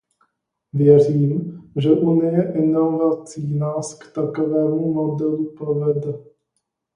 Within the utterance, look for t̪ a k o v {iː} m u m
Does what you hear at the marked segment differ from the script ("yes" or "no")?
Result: yes